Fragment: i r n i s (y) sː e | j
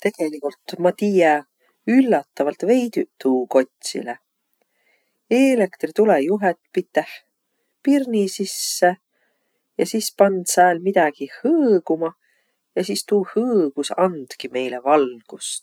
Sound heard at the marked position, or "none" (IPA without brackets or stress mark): i